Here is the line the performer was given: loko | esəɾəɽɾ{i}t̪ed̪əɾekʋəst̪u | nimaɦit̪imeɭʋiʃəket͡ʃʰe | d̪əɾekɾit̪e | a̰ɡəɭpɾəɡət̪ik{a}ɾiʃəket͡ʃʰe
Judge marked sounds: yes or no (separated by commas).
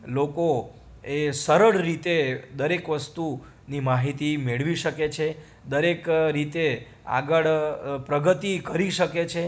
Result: yes, no